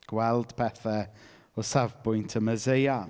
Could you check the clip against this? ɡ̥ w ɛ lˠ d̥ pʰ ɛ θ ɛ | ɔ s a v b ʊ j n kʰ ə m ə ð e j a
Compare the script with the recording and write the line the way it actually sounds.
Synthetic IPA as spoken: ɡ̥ w ɛ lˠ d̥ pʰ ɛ θ ɛ | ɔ s a v b ʊ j n tʰ ə m ə z e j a